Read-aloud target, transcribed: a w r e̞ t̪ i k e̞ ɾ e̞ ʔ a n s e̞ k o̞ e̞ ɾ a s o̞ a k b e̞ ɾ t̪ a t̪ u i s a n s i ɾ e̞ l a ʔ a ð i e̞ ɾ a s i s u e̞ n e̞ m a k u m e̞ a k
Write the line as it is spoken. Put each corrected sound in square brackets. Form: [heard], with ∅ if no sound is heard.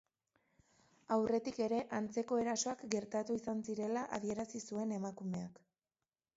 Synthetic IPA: a w r e̞ t̪ i k e̞ ɾ e̞ ʔ a n [t͡s] e̞ k o̞ e̞ ɾ a s o̞ a k [ɡ] e̞ ɾ t̪ a t̪ u i s a n s i ɾ e̞ l a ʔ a ð i e̞ ɾ a s i s u e̞ n e̞ m a k u m e̞ a k